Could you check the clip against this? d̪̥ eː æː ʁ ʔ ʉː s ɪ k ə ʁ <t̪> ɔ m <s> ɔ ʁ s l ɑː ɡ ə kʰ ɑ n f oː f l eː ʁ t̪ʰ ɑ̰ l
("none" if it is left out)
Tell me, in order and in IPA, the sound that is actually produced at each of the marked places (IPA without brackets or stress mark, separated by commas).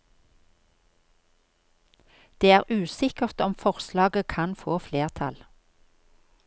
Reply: t̪, f